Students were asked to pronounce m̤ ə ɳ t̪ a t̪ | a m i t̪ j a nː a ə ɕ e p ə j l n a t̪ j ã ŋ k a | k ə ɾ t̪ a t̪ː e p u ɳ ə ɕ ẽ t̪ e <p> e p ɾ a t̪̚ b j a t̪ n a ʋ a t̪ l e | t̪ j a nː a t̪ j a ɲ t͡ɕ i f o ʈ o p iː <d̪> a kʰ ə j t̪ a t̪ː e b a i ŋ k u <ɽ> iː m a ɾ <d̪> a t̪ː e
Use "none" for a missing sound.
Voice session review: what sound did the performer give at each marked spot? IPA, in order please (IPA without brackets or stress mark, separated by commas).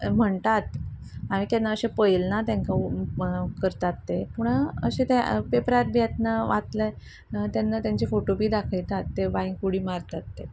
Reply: p, d̪, ɽ, t̪